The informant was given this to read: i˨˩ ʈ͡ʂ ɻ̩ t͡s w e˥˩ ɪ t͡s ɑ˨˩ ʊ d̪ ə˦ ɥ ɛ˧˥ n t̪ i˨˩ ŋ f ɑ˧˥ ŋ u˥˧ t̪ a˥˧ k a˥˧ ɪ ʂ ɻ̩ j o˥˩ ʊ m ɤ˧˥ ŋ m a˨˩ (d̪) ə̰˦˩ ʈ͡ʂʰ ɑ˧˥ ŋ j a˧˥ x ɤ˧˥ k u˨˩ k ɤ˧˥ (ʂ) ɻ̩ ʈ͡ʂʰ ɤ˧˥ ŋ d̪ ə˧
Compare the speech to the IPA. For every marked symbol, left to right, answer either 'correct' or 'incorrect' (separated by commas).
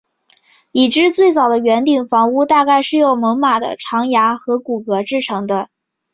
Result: correct, incorrect